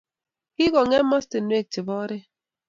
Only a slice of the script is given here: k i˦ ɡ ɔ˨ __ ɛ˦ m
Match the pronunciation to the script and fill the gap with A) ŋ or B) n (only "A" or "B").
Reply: A